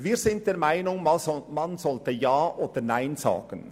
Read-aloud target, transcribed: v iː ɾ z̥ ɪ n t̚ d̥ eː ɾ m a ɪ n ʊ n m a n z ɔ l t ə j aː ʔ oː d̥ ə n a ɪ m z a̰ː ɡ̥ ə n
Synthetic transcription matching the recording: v iː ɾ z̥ ɪ n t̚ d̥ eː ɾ m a ɪ n ʊ ŋ m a n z ɔ l t ə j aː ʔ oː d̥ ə n a ɪ n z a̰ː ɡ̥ ə n